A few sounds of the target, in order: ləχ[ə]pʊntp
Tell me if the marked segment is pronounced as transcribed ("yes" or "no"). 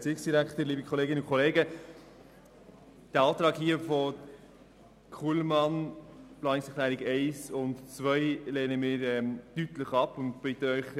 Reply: no